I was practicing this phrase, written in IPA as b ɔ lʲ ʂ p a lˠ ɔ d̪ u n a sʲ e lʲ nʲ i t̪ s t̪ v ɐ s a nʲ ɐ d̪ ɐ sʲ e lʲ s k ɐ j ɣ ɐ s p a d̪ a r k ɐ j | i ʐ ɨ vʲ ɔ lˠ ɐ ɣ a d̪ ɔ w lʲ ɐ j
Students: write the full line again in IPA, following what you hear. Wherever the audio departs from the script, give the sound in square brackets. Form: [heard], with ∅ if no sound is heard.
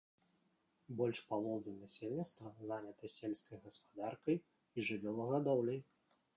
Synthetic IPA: b ɔ lʲ ʂ p a lˠ ɔ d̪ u n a sʲ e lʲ nʲ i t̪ s t̪ v ɐ [z] a nʲ ɐ [t̪] ɐ sʲ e lʲ s k ɐ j ɣ ɐ s p a d̪ a r k ɐ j | i ʐ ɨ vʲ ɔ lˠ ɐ ɣ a d̪ ɔ w lʲ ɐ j